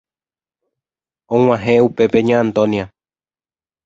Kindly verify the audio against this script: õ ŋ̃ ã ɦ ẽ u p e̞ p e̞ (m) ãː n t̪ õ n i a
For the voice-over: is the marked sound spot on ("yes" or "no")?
no